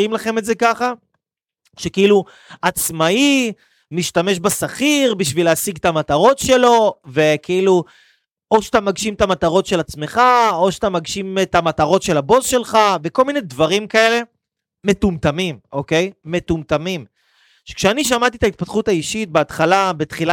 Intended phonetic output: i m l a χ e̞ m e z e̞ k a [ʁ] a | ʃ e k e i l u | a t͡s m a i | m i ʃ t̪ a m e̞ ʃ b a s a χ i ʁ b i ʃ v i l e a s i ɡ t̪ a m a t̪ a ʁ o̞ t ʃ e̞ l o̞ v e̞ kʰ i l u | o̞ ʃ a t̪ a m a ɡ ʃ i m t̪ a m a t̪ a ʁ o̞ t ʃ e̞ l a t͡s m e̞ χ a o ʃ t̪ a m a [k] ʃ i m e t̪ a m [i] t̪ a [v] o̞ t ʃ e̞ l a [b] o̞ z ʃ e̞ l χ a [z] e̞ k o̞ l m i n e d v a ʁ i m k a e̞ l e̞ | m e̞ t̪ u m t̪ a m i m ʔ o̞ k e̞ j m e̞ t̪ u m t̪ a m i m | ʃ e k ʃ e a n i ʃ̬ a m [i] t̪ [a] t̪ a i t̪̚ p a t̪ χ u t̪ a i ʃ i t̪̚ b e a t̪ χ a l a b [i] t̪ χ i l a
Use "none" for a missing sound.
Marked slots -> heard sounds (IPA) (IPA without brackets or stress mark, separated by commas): χ, ɡ, a, ʁ, b, v, a, i, e